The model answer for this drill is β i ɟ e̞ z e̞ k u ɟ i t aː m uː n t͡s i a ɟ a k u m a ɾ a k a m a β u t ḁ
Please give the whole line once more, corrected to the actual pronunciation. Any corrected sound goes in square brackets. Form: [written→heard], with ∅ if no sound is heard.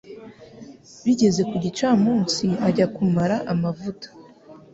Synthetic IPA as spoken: β i ɟ e̞ z e̞ k u ɟ i [t→t͡ʃ] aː m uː n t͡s i a ɟ a k u m a ɾ a [k→ʔ] a m a [β→v] u t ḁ